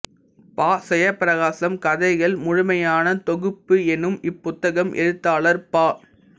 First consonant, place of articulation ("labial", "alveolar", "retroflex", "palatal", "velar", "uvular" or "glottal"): labial